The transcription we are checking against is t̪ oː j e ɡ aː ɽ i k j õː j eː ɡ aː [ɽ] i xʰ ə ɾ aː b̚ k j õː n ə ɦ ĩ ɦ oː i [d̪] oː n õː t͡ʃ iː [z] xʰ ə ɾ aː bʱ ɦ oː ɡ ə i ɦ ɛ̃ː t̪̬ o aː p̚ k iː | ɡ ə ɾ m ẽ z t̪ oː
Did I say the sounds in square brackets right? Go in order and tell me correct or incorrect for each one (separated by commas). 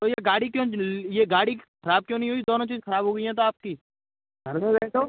correct, correct, correct